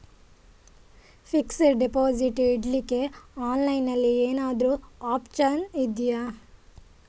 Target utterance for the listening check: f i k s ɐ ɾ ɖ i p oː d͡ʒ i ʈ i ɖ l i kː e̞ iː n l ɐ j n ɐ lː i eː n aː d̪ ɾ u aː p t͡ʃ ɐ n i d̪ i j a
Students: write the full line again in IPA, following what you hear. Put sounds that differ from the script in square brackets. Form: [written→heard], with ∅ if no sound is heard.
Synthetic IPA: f i k s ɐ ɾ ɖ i p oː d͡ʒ i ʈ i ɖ l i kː e̞ [iː→aː] n l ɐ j n ɐ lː i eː n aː d̪ ɾ u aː p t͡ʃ ɐ n i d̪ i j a